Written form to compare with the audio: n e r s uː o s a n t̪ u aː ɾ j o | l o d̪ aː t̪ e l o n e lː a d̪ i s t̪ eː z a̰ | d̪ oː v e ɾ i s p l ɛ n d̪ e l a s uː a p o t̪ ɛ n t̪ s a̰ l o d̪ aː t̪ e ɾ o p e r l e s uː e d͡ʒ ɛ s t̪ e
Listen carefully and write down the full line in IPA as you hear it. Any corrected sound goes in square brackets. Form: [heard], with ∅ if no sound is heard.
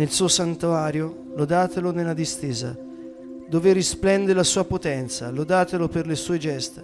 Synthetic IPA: n e [l] s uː o s a n t̪ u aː ɾ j o | l o d̪ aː t̪ e l o n e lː a d̪ i s t̪ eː z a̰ | d̪ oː v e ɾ i s p l ɛ n d̪ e l a s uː a p o t̪ ɛ n t̪ s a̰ l o d̪ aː t̪ e [l] o p e r l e s uː e d͡ʒ ɛ s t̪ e